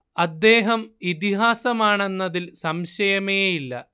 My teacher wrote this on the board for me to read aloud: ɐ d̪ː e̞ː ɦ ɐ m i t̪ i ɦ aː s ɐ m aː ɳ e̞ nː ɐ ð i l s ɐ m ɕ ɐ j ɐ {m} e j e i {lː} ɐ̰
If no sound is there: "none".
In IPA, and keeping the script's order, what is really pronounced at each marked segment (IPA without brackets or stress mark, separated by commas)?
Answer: m, lː